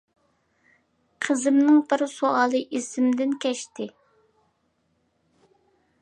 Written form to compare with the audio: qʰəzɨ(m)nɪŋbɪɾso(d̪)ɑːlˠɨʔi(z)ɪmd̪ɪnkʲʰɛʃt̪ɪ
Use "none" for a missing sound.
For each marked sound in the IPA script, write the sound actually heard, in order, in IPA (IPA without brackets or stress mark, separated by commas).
m, none, s